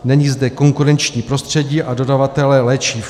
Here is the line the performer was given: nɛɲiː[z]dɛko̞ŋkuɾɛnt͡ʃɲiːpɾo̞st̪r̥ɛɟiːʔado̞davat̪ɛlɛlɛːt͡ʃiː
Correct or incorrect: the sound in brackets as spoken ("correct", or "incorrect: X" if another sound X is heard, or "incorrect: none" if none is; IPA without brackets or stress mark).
correct